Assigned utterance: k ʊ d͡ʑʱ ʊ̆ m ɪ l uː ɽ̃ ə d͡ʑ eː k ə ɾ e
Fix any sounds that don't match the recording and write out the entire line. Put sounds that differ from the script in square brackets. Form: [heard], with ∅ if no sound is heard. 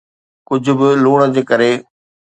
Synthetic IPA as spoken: k ʊ d͡ʑʱ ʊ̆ [b] ɪ l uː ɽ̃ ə d͡ʑ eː k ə ɾ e